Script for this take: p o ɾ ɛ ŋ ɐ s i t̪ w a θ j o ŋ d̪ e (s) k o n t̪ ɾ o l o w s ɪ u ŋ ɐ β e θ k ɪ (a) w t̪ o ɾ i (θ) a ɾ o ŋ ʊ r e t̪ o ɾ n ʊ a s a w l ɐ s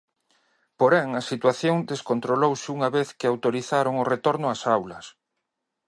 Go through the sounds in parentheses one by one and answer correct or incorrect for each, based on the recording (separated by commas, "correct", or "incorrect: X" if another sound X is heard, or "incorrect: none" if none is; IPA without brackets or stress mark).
correct, correct, correct